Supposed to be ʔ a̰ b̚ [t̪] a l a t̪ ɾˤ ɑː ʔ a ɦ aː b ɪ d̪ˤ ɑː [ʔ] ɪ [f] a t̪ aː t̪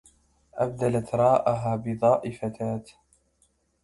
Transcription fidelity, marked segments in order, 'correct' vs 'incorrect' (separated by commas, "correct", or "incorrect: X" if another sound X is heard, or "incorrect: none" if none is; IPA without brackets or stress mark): incorrect: d̪, correct, correct